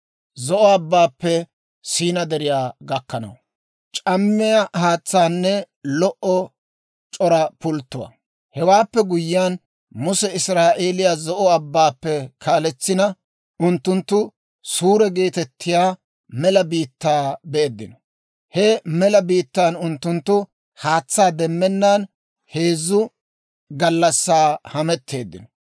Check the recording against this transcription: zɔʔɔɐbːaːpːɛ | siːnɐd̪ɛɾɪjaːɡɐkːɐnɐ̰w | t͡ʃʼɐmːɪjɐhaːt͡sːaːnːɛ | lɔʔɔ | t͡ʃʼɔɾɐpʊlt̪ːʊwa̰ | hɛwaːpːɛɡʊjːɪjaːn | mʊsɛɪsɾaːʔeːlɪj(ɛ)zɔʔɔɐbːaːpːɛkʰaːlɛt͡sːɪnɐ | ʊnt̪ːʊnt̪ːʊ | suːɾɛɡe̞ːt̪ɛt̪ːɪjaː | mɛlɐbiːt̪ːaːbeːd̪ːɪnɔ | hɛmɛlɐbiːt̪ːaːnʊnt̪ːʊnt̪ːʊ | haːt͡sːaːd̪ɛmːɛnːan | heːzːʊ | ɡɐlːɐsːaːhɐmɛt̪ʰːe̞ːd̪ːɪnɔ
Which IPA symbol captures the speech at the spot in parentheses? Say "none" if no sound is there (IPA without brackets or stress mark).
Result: a